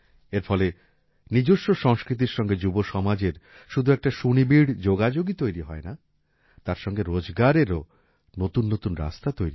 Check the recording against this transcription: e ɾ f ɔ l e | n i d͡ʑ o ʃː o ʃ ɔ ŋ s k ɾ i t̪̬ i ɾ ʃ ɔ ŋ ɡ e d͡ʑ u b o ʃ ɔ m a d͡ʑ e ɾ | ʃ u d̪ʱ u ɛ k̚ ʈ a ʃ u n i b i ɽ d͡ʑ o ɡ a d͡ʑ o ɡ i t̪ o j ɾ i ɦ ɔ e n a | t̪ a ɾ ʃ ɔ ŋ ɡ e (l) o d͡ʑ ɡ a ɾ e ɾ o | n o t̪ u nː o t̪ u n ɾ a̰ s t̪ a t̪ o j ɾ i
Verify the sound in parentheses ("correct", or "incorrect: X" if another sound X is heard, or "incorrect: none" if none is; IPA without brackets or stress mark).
incorrect: ɾ